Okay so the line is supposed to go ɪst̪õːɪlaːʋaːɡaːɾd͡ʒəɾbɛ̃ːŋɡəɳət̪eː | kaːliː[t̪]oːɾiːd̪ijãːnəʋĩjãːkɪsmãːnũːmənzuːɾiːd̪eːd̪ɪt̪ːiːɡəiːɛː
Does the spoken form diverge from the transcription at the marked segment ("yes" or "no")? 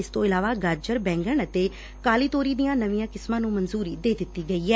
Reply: no